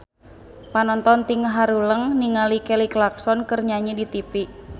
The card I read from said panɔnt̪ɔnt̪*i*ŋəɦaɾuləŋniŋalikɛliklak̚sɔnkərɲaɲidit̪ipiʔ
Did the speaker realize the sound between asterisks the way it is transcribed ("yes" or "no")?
yes